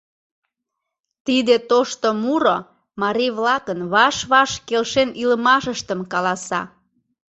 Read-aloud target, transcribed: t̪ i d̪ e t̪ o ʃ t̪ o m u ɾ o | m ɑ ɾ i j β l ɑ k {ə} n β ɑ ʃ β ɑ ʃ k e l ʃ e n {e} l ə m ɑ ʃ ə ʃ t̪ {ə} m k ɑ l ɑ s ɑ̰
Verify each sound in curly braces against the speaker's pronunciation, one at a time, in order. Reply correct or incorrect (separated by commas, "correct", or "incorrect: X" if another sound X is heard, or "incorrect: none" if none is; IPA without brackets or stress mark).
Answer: correct, incorrect: i, correct